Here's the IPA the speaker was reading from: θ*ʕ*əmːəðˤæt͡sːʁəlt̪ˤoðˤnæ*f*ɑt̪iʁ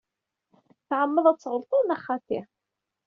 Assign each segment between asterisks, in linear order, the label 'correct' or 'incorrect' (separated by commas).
correct, incorrect